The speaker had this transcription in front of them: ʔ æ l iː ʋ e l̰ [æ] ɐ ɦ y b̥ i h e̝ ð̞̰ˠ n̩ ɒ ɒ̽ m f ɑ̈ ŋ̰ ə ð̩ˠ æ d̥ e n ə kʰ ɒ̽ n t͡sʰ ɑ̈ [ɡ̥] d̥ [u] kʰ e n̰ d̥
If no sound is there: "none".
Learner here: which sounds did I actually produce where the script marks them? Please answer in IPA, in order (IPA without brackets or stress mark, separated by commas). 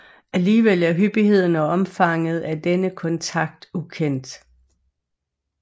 æ, ɡ̥, u